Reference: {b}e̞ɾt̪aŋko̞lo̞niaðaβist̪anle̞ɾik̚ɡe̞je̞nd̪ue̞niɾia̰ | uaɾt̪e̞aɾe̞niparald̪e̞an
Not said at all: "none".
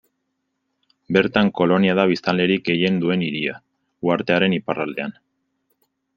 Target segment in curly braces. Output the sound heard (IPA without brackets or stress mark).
b